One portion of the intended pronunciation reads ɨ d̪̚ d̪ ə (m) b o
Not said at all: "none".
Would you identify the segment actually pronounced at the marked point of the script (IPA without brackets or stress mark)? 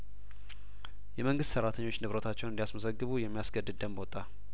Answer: m